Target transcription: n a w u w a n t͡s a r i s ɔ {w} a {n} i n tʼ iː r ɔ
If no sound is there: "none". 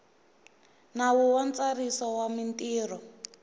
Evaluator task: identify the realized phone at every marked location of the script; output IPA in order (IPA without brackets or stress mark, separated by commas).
w, m